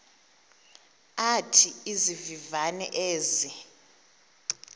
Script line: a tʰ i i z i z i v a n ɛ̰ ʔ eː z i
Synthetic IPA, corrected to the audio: a tʰ i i z i v i v a n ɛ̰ ʔ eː z i